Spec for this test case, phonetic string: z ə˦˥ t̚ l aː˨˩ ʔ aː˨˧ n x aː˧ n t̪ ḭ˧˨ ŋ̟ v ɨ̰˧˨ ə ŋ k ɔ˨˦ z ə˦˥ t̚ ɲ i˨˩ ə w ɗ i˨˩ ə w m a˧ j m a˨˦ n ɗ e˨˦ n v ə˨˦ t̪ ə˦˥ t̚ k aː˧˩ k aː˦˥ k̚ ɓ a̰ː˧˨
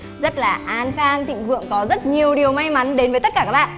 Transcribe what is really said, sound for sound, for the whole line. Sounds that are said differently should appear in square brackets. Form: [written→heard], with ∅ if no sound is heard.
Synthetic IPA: z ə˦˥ t̚ l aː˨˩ ʔ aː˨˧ n x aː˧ [n→ŋ] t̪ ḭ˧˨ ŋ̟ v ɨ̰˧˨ ə ŋ k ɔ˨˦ z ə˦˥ t̚ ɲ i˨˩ ə w ɗ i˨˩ ə w m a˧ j m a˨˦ n ɗ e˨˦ n v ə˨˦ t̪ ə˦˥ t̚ k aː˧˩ k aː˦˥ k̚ ɓ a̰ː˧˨

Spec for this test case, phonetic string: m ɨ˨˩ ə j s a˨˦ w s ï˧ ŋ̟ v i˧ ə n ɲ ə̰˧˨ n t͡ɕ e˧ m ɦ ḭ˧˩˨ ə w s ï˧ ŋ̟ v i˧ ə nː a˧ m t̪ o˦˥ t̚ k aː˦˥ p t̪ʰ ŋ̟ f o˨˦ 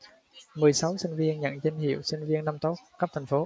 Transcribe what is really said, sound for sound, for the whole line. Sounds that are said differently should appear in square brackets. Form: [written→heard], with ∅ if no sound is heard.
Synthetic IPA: m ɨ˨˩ ə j s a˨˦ w s ï˧ ŋ̟ v i˧ ə n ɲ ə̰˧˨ n t͡ɕ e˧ [m→n] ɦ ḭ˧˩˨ ə w s ï˧ ŋ̟ v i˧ ə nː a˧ m t̪ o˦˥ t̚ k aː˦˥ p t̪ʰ ŋ̟ f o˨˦

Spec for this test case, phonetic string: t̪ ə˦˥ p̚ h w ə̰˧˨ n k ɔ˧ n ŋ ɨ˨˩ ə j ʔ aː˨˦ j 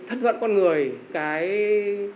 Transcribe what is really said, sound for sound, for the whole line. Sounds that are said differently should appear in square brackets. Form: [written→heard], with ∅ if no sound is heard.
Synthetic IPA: [t̪→t̪ʰ] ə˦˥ [p̚→t̚] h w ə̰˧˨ n k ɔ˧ n ŋ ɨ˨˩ ə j [ʔ→k] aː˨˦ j

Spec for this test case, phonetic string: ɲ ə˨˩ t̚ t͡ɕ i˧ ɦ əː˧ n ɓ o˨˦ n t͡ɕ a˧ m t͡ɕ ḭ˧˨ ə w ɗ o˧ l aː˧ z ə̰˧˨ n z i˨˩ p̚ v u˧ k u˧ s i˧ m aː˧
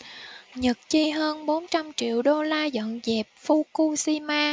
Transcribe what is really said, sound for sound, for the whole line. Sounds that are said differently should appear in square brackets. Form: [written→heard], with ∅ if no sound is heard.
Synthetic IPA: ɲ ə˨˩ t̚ t͡ɕ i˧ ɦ əː˧ n ɓ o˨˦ n t͡ɕ a˧ m t͡ɕ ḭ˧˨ ə w ɗ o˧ l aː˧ z ə̰˧˨ n z [i˨˩→ɛ˨˩] p̚ [v→f] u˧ k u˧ s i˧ m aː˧

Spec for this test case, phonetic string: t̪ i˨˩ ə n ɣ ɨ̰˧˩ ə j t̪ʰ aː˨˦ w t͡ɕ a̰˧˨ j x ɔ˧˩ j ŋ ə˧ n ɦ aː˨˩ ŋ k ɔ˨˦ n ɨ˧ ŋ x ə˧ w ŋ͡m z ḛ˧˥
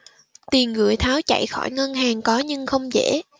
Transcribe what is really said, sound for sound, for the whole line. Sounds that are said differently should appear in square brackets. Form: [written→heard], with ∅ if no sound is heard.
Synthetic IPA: t̪ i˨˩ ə n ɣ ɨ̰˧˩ ə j t̪ʰ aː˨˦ w t͡ɕ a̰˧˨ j x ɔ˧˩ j ŋ ə˧ n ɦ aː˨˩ ŋ k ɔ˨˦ [n→ɲ] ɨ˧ ŋ x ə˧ w ŋ͡m z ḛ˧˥

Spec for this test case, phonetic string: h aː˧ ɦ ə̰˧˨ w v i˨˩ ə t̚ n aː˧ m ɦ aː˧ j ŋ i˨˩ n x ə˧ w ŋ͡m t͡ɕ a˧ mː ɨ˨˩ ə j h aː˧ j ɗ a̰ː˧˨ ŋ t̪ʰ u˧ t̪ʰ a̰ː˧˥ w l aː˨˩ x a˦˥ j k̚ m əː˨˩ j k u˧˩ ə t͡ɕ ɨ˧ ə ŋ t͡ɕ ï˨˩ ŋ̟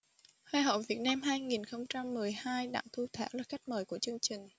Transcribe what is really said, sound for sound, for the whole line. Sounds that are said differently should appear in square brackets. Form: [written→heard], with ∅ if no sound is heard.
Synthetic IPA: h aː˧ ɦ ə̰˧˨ w v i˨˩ ə t̚ n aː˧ m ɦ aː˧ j ŋ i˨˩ n x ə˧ w ŋ͡m t͡ɕ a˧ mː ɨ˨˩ ə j h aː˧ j ɗ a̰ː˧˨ ŋ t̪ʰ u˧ t̪ʰ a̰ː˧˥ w l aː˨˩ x a˦˥ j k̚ m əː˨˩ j k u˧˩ ə t͡ɕ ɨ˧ ə ŋ t͡ɕ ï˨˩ ŋ̟

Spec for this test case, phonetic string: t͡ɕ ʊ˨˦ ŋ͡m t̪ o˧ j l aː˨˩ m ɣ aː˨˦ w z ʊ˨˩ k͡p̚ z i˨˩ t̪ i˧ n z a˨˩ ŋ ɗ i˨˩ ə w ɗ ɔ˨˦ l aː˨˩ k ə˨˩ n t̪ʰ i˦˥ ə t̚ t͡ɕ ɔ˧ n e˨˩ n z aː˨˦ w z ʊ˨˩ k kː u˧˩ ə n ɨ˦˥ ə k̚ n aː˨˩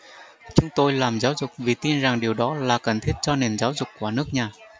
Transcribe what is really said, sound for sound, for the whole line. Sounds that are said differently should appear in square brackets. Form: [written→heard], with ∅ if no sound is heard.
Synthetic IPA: t͡ɕ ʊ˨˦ ŋ͡m t̪ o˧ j l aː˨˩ m [ɣ→z] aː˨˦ w z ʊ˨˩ k͡p̚ [z→v] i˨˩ t̪ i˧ n z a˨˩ ŋ ɗ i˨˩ ə w ɗ ɔ˨˦ l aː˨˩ k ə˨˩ n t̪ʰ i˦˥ ə t̚ t͡ɕ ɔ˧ n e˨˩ n z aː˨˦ w z ʊ˨˩ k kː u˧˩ ə n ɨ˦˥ ə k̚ [n→ɲ] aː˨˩

